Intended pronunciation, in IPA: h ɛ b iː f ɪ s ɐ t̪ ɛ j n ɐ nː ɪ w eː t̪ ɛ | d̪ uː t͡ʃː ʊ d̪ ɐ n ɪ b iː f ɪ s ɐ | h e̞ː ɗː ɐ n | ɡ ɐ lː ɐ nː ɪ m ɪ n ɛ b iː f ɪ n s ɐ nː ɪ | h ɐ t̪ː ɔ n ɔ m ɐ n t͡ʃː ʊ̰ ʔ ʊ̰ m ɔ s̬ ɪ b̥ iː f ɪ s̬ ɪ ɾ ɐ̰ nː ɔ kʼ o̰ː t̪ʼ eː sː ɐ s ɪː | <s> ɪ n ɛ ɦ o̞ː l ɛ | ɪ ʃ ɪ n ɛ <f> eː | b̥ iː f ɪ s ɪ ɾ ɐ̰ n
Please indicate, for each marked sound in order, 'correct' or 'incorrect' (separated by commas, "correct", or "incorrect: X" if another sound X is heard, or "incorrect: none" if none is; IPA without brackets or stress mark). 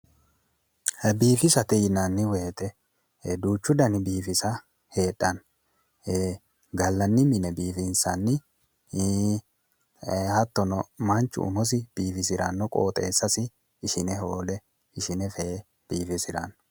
incorrect: ʃ, correct